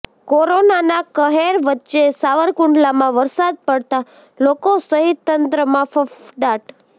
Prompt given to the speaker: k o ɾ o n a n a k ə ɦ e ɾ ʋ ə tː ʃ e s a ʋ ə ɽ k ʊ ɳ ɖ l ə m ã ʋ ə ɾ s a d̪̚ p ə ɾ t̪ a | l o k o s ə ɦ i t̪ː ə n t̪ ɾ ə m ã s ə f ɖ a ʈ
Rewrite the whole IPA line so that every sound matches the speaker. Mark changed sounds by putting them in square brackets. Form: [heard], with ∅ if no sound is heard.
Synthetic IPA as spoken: k o ɾ o n a n a k ə ɦ e ɾ ʋ ə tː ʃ e s a ʋ ə [ɾ] k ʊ ɳ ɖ l [a] m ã ʋ ə ɾ s a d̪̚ p ə [ɽ] t̪ a | l o k o s ə ɦ i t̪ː ə n t̪ ɾ ə m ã [f] ə f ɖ a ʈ